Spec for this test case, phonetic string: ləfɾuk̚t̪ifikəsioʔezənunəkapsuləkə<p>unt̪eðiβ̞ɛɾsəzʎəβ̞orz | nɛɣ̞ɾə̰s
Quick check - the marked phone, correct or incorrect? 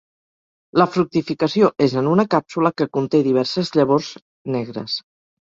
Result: incorrect